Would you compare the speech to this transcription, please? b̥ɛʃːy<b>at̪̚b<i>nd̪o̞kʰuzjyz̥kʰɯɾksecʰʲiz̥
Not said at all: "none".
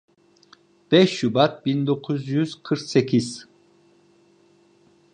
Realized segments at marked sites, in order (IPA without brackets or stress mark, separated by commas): b, i